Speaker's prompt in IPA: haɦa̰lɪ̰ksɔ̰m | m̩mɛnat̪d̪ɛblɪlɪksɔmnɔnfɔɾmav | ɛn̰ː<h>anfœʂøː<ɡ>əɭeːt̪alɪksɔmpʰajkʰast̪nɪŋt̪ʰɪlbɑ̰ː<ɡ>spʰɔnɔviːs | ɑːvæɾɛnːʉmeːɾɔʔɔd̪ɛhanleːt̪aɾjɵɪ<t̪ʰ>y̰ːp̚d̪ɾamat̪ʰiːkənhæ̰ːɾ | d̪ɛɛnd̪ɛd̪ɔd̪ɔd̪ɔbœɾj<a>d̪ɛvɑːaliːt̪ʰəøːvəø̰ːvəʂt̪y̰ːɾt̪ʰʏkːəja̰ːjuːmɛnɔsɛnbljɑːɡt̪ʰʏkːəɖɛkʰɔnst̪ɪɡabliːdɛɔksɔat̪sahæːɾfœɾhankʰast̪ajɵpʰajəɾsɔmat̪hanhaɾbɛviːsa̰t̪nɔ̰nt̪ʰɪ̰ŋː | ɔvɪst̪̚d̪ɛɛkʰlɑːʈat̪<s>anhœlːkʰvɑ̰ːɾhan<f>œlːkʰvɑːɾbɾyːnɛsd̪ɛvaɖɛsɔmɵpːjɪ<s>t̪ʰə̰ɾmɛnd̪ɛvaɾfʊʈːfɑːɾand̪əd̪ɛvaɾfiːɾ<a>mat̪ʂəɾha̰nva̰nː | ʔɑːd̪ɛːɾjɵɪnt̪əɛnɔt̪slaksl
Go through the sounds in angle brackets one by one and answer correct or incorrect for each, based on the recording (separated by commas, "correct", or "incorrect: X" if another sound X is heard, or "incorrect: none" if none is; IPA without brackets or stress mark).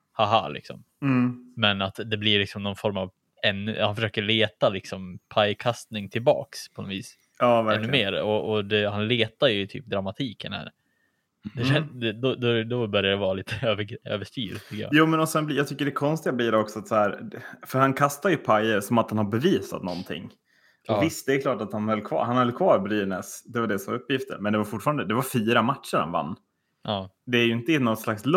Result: correct, incorrect: k, incorrect: k, correct, correct, incorrect: h, incorrect: h, incorrect: f, correct